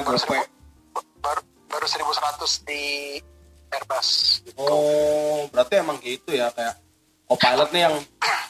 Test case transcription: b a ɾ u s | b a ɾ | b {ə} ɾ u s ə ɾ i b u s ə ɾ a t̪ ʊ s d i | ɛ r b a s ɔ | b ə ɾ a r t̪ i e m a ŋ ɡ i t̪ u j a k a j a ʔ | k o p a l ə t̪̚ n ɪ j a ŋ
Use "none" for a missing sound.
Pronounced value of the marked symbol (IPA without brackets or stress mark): a